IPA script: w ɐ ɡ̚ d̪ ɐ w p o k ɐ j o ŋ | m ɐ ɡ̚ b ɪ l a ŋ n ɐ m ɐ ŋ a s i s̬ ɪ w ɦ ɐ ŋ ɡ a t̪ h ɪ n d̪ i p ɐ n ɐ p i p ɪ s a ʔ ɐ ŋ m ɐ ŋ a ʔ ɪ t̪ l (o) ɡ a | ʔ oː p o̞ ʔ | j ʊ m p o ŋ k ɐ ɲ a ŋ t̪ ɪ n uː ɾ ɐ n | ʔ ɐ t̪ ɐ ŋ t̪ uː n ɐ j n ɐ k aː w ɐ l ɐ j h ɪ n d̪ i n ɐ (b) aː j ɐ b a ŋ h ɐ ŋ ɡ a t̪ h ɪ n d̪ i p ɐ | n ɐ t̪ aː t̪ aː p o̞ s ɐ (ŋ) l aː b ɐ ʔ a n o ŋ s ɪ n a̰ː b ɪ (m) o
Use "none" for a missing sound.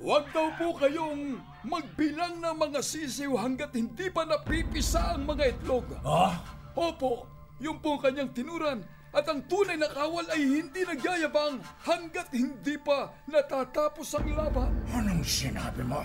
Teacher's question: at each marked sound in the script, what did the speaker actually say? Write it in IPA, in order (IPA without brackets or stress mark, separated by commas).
o, ɡ, ŋ, m